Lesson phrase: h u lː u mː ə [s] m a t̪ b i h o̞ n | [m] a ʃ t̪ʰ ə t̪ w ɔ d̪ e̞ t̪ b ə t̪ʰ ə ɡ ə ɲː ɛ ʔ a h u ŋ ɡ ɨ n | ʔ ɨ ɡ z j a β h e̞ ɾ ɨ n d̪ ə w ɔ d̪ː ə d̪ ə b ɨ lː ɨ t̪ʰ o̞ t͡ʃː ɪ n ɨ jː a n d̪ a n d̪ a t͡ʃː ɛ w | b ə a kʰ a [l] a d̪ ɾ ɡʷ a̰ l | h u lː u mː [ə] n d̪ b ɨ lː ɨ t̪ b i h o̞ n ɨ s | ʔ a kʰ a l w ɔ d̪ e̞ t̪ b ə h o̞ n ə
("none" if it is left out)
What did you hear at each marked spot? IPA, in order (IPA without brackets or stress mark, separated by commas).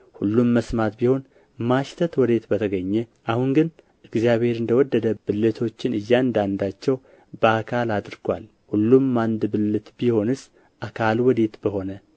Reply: s, m, l, a